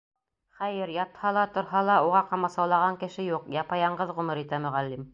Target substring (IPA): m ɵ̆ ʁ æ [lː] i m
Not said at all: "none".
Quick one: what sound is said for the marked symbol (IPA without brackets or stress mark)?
lː